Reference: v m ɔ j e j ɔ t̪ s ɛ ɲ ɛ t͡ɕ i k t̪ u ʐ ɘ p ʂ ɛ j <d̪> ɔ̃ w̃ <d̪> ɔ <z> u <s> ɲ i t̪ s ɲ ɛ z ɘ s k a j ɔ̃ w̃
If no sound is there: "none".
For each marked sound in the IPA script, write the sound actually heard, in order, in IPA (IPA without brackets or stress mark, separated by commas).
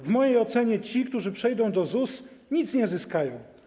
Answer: d̪, d̪, z, s